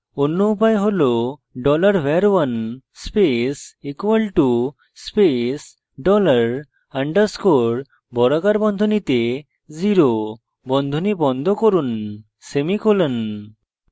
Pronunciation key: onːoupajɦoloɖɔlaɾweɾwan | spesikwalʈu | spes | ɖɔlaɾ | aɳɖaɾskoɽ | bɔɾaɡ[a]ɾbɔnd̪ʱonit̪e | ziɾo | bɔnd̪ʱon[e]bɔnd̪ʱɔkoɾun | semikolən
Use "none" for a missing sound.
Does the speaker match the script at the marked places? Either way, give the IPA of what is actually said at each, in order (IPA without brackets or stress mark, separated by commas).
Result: a, i